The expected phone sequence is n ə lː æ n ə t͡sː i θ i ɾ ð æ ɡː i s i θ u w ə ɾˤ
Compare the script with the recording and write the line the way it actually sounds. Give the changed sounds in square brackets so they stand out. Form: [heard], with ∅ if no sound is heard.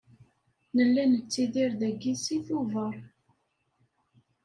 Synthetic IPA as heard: n ə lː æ n ə t͡sː i [ð] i ɾ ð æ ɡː i s i θ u [v] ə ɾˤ